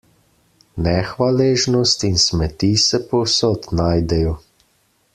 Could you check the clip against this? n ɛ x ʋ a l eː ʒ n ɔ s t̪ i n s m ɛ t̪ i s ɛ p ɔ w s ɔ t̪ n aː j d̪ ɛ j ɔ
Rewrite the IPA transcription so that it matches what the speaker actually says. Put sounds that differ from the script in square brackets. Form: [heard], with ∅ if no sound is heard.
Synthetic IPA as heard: n ɛ x ʋ a l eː ʒ n ɔ s t̪ i n s m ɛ t̪ i s ɛ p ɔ w s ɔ t̪ n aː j d̪ ɛ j ɔ